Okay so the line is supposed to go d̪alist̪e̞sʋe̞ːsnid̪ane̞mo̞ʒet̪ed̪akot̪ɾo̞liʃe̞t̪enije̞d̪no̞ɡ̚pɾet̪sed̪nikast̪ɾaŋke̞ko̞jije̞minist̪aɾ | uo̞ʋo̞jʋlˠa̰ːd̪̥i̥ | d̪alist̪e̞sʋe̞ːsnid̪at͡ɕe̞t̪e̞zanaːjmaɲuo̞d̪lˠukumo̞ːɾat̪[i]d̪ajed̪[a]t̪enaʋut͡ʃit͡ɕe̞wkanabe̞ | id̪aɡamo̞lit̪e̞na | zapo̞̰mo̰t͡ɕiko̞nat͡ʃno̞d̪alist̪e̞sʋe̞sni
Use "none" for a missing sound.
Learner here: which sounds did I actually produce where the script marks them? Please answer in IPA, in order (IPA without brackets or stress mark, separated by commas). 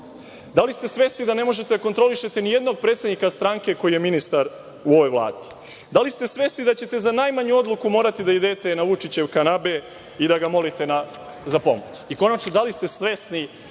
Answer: i, e